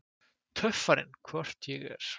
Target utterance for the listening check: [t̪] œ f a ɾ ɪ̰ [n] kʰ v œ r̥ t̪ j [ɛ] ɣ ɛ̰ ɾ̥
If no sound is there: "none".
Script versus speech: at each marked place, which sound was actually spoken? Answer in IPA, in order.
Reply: t̪ʰ, n, ɛ

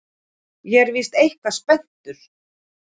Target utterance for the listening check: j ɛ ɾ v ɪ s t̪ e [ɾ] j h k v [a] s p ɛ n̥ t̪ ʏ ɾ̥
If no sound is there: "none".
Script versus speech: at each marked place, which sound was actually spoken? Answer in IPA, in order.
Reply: none, a

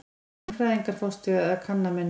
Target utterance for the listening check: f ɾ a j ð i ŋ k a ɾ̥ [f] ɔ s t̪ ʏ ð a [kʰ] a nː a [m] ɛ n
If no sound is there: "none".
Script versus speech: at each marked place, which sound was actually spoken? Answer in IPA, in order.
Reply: f, kʰ, m

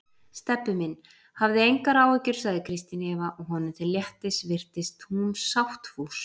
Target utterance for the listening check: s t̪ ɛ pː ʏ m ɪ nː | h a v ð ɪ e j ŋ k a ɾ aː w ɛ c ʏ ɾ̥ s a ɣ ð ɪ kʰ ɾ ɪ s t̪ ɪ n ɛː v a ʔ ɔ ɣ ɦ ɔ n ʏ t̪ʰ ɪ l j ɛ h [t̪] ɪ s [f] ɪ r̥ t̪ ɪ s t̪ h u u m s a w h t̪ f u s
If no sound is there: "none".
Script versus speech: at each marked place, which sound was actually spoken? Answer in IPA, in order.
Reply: t̪, v

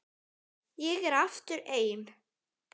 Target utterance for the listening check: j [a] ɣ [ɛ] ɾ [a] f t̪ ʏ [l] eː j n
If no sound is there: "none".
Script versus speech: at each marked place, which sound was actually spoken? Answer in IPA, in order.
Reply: ɛ, ɛ, a, ɾ

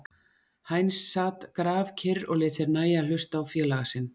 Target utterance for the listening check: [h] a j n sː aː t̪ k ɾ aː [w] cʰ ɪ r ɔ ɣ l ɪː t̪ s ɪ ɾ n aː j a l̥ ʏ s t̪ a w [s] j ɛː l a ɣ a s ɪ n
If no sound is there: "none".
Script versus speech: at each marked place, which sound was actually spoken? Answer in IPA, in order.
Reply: h, v, f

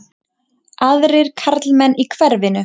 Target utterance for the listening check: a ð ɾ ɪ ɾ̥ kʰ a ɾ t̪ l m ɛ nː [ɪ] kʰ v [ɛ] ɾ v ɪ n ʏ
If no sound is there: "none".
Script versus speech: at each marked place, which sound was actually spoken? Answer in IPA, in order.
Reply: i, ɛ

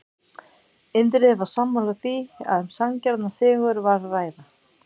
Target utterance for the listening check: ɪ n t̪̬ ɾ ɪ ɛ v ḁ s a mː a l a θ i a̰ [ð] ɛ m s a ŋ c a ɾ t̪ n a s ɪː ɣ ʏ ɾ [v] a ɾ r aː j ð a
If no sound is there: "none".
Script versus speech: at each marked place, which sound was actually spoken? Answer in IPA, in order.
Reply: ð, v

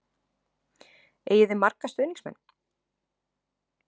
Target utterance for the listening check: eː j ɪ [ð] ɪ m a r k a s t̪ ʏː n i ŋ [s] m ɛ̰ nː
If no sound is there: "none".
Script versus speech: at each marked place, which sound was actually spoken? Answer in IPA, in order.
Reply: ð, s

